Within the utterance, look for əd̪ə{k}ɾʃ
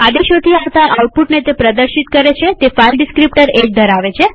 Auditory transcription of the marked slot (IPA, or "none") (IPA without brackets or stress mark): none